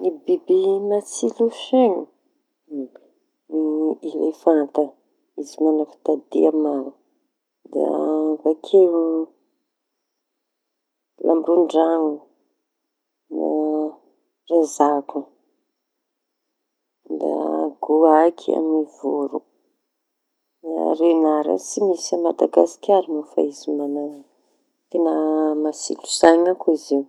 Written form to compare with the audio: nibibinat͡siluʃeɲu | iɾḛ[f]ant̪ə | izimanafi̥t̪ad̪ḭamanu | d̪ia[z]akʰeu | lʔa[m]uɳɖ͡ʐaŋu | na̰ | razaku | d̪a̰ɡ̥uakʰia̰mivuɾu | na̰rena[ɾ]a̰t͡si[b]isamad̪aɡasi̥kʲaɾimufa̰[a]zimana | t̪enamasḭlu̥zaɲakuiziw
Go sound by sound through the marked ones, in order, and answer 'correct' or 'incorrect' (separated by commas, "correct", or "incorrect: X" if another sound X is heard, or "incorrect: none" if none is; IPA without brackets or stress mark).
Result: correct, incorrect: v, correct, correct, incorrect: m, incorrect: i